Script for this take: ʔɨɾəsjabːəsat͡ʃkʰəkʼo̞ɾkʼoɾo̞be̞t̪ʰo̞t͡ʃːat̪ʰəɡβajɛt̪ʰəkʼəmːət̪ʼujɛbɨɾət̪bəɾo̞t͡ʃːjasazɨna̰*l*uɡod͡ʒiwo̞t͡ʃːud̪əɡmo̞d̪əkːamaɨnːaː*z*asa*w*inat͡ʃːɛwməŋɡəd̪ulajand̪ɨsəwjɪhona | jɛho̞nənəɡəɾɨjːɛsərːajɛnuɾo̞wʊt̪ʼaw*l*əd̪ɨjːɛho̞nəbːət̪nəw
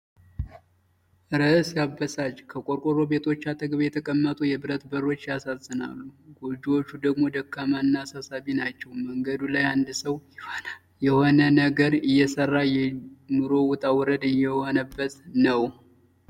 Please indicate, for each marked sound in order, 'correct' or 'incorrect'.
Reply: incorrect, incorrect, incorrect, incorrect

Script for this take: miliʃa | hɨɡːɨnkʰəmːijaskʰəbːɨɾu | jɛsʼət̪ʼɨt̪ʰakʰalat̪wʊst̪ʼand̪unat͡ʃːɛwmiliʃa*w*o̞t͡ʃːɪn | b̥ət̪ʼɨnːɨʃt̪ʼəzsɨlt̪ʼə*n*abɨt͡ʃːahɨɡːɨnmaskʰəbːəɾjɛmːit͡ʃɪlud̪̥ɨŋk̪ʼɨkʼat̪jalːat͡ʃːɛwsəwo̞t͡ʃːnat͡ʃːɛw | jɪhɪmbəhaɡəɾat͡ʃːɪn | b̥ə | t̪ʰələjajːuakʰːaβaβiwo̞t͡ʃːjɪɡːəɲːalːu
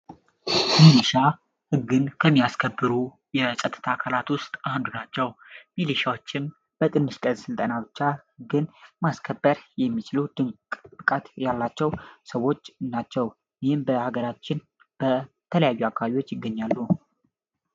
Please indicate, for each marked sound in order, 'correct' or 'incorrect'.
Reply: correct, correct

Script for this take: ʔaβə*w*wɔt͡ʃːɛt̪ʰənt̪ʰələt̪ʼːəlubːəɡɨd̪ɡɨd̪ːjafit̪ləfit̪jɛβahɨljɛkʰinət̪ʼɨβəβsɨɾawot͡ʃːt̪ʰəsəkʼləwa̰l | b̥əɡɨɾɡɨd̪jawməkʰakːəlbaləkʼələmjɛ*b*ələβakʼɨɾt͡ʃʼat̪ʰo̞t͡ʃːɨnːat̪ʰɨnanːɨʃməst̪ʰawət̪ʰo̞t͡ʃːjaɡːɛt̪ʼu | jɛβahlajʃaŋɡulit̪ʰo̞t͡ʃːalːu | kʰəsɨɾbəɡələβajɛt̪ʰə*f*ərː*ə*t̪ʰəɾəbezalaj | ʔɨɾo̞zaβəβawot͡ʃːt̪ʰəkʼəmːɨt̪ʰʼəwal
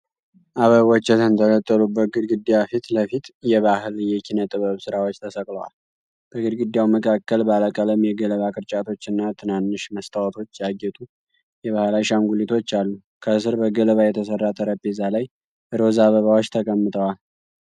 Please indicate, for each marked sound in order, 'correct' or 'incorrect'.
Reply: incorrect, incorrect, incorrect, incorrect

